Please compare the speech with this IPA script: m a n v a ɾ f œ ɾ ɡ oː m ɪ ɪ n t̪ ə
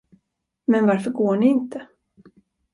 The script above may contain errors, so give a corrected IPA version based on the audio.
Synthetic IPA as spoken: m ɛ n v a ɾ f œ ɾ ɡ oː ɳ ɪ ɪ n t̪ ə